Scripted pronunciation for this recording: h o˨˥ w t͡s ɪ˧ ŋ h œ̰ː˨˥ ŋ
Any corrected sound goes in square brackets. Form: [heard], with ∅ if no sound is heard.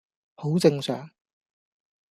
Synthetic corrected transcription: h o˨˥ w t͡s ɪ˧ ŋ [s] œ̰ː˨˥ ŋ